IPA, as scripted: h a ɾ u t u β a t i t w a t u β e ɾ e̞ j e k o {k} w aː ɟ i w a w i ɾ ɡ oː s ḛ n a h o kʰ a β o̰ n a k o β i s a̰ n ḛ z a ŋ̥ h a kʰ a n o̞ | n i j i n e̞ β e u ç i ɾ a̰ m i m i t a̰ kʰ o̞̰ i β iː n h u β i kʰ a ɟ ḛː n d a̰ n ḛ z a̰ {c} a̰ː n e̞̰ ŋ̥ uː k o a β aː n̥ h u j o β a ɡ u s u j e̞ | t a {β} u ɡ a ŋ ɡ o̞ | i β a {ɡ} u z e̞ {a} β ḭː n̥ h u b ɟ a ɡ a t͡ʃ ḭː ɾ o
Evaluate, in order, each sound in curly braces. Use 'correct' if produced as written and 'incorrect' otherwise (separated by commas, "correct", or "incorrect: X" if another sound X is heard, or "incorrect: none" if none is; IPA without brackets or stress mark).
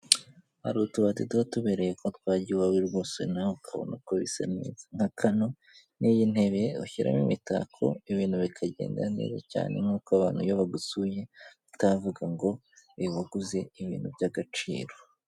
incorrect: t, correct, incorrect: v, correct, incorrect: i